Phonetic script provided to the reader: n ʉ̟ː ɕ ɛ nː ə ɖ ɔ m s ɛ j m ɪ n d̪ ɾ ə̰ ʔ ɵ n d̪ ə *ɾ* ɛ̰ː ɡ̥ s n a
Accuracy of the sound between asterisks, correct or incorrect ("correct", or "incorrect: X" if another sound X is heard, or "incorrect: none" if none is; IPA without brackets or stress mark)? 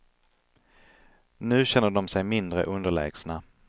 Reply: incorrect: ɭ